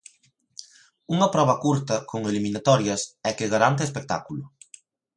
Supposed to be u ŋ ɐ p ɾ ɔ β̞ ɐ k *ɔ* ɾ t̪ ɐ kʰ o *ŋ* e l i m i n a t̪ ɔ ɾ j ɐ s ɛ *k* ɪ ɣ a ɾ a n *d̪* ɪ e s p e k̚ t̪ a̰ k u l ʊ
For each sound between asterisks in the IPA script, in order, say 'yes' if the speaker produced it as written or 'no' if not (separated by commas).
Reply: no, yes, yes, no